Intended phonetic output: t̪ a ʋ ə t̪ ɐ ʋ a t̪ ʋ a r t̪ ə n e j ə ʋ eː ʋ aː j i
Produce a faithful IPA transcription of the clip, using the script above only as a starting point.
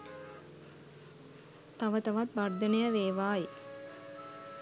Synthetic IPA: t̪ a ʋ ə t̪ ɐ ʋ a t̪ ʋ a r d̪ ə n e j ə ʋ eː ʋ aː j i